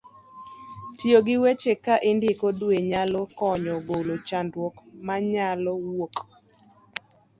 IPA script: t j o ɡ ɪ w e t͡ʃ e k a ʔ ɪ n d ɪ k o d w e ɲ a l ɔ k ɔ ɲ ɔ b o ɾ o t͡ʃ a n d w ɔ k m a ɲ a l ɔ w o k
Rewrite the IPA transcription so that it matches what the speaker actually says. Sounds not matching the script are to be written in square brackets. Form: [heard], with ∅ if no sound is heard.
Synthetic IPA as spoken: t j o ɡ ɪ w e t͡ʃ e k a ʔ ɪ n d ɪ k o d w e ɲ a l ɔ k ɔ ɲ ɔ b o [l] o t͡ʃ a n d w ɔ k m a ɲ a l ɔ w o k

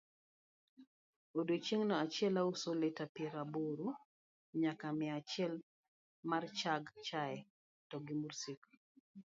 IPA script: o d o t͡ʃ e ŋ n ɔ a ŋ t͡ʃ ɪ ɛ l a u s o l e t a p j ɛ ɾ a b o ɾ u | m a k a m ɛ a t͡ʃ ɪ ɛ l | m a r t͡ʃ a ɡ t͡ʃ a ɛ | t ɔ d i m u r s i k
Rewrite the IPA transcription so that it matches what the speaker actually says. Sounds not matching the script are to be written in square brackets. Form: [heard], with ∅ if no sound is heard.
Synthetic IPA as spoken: o d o t͡ʃ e ŋ n ɔ a [∅] t͡ʃ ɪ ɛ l a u s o l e t a p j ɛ ɾ a b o ɾ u | [ɲ] a k a m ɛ a t͡ʃ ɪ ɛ l | m a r t͡ʃ a ɡ t͡ʃ a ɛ | t ɔ [ɡ] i m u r s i k

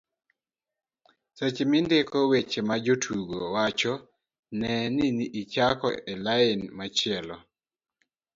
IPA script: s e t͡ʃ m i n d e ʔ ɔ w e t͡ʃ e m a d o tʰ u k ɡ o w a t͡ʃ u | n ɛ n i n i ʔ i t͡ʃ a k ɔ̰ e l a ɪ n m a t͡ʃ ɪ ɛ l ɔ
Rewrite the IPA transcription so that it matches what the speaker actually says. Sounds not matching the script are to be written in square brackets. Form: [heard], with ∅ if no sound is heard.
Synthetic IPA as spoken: s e t͡ʃ m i n d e [k] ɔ w e t͡ʃ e m a [d͡ʒ] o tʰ u [∅] ɡ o w a t͡ʃ [ɔ] | n ɛ n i n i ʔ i t͡ʃ a k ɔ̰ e l a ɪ n m a t͡ʃ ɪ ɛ l ɔ

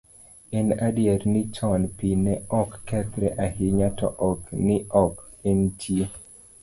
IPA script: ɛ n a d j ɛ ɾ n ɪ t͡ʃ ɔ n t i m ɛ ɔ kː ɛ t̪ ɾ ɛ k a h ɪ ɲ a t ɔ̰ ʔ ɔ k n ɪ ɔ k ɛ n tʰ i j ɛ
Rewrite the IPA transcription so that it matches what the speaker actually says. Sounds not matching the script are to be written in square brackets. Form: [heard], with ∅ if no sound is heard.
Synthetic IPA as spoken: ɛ n a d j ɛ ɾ n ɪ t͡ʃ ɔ n [p] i [n] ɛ ɔ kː ɛ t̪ ɾ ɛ [ʔ] a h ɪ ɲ a t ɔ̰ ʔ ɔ k n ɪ ɔ k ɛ n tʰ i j [e]

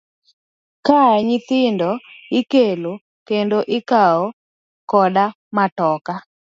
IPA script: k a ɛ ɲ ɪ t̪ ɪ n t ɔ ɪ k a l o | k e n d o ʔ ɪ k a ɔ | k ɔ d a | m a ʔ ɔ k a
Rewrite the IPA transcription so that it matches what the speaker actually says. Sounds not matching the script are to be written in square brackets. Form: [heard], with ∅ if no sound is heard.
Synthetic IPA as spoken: k a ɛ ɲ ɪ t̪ ɪ n [d] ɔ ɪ k [e] l o | k e n d o ʔ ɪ k a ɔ | k ɔ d a | m a [t] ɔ k a

